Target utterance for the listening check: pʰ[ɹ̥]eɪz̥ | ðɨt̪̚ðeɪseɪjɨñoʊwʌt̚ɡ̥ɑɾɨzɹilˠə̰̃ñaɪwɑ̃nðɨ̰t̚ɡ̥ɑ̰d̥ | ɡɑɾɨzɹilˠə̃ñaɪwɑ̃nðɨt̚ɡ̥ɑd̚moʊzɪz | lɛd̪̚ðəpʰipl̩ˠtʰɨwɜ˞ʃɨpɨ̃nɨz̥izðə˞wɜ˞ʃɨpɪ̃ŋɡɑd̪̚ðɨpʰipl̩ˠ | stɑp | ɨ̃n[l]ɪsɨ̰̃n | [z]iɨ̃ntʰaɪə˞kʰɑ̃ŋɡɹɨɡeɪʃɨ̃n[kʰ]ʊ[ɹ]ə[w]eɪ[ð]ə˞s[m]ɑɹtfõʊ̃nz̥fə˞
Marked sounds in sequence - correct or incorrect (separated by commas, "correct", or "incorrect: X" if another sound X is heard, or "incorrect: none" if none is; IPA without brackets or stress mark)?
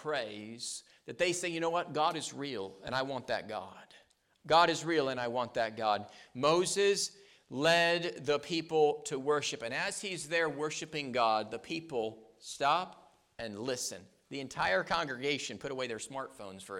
correct, correct, incorrect: ð, incorrect: pʰ, incorrect: ɾ, correct, correct, correct